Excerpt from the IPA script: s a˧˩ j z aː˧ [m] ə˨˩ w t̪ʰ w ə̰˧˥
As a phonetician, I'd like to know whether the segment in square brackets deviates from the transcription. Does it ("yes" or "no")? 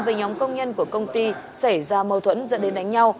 no